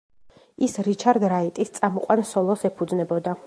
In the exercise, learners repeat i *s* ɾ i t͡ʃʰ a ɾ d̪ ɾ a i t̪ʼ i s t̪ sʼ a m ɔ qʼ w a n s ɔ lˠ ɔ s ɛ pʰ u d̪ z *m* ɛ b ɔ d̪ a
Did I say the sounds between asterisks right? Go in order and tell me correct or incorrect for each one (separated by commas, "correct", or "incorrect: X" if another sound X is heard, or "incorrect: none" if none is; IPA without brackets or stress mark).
correct, incorrect: n